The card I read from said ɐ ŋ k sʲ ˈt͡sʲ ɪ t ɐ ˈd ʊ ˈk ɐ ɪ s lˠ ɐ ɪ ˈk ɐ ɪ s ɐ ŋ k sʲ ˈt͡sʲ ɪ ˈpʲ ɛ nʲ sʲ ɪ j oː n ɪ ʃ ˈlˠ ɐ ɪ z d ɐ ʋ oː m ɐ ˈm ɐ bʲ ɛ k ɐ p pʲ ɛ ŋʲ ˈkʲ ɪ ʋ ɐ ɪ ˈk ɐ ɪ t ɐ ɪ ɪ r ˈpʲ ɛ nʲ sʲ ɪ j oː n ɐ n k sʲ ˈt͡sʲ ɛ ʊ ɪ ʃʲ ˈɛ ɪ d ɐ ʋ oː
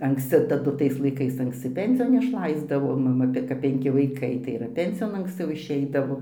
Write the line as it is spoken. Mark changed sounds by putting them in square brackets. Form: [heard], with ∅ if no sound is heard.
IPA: ɐ ŋ k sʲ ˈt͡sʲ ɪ t ɐ ˈd ʊ [ˈt] ɐ ɪ s lˠ ɐ ɪ ˈk ɐ ɪ s ɐ ŋ k sʲ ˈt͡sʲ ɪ ˈpʲ ɛ nʲ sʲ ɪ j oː n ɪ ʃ ˈlˠ ɐ ɪ z d ɐ ʋ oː m ɐ ˈm ɐ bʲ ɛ k ɐ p pʲ ɛ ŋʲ ˈkʲ ɪ ʋ ɐ ɪ ˈk ɐ ɪ t ɐ ɪ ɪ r ˈpʲ ɛ nʲ sʲ ɪ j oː n ɐ [ŋ] k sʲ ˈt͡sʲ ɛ ʊ ɪ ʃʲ ˈɛ ɪ d ɐ ʋ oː